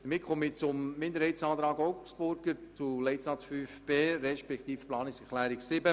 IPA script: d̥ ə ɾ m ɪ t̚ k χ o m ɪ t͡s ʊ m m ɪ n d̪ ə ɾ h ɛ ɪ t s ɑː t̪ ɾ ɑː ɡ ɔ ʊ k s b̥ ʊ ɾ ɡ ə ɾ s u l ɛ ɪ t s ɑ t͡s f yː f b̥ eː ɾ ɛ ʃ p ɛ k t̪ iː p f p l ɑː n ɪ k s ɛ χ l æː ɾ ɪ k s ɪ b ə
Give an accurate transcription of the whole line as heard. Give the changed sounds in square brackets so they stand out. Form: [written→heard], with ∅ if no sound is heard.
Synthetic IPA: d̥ ə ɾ m ɪ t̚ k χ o m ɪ t͡s ʊ m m ɪ n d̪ ə ɾ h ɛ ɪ t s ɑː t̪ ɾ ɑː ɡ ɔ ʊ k s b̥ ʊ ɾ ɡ ə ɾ [s→t͡s] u l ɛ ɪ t s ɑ t͡s f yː f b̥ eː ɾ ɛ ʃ p ɛ k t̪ iː [p→∅] f p l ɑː n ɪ k s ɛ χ l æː ɾ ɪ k s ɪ b ə